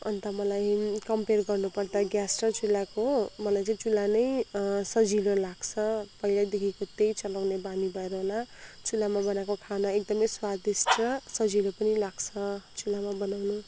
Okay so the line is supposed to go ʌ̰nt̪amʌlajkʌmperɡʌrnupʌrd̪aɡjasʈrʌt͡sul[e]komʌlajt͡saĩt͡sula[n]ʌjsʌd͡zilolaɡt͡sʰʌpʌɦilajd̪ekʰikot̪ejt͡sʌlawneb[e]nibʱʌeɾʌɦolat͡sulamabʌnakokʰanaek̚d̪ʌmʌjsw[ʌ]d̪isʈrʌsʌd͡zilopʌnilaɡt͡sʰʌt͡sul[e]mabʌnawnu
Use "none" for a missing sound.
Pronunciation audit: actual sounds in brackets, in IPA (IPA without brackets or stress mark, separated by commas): a, n, a, a, a